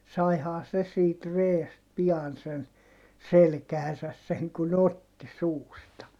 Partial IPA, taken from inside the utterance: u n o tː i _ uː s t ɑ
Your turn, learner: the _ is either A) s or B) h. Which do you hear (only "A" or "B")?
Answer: A